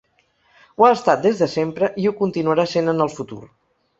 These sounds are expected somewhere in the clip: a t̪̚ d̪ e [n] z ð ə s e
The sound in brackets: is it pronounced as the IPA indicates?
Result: no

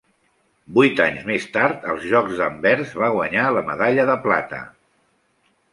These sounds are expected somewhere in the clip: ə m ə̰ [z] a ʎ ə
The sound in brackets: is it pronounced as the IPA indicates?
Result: no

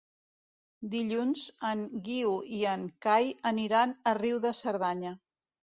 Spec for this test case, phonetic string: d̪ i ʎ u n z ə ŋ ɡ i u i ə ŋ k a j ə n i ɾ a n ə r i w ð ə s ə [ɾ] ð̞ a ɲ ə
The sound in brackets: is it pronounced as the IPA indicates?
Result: yes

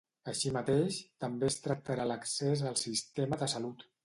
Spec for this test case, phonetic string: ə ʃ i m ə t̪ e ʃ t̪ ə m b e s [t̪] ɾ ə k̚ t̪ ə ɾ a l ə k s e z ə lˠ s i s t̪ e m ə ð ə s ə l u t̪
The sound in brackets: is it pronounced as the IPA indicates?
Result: yes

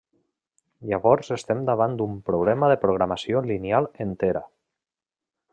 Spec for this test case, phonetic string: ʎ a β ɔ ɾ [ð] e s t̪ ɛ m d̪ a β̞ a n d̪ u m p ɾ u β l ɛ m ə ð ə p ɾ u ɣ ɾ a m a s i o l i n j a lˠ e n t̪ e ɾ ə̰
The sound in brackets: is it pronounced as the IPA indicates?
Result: no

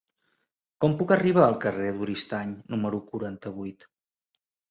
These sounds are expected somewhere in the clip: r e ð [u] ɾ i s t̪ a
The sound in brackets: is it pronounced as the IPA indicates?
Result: yes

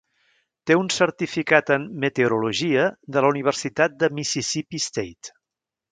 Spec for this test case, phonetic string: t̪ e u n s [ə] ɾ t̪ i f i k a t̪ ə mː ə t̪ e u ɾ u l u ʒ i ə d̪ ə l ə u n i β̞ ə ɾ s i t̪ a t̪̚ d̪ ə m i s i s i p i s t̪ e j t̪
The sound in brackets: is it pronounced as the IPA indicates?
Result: yes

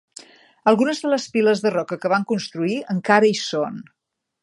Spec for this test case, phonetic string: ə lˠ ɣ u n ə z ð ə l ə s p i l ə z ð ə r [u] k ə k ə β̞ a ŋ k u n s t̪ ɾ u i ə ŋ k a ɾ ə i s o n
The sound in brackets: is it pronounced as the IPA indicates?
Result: no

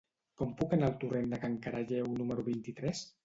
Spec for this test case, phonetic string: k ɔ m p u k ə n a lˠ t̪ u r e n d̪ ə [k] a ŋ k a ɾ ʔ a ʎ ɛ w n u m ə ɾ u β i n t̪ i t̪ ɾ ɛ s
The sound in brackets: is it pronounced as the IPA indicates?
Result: yes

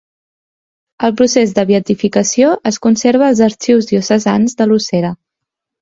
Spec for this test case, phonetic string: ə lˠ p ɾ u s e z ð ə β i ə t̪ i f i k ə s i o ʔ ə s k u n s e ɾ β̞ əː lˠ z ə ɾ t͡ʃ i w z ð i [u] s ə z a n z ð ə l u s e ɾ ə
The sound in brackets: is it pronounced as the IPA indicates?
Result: yes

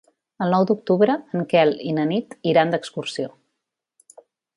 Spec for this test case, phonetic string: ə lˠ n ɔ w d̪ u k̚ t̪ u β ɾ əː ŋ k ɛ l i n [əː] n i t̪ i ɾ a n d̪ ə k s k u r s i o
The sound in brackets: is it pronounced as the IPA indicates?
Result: no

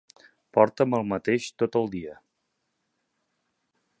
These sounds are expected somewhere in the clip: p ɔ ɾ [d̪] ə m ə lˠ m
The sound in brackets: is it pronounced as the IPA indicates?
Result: no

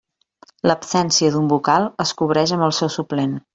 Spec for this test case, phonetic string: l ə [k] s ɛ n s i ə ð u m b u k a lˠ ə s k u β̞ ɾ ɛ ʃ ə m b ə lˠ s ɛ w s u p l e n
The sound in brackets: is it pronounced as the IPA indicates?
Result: no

